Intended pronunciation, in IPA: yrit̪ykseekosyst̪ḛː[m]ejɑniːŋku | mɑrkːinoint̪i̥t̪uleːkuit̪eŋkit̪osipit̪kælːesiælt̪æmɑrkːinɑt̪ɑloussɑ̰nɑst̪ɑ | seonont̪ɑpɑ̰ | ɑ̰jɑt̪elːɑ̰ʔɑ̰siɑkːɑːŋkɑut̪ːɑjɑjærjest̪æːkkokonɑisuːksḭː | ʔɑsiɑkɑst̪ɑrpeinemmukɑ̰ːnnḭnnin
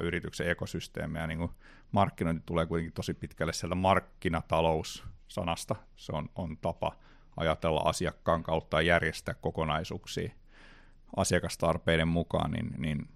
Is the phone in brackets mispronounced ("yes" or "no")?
no